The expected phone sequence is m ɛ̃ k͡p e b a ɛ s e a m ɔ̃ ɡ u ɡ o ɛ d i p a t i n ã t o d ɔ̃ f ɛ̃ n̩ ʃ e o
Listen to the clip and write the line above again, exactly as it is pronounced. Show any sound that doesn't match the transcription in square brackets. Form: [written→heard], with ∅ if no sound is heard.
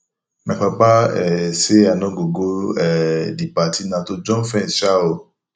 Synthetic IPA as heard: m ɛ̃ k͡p [e→a] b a ɛ s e a [m→n] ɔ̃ ɡ [u→o] ɡ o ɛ d i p a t i n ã t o [d→d͡ʒ] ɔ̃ f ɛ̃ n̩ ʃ [e→a] o